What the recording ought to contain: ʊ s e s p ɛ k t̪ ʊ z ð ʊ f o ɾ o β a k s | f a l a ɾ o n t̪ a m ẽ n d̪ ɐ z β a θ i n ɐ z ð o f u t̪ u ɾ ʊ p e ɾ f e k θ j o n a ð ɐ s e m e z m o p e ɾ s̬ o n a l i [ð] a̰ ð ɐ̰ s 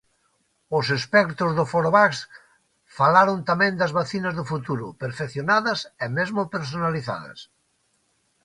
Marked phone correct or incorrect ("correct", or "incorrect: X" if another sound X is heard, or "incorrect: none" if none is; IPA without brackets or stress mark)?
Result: incorrect: θ